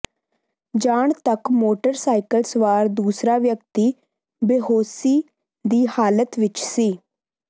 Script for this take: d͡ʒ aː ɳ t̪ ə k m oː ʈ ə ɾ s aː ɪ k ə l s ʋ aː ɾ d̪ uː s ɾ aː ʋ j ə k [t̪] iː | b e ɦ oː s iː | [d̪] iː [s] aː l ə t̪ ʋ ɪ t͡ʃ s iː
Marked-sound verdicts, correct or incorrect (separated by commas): correct, correct, incorrect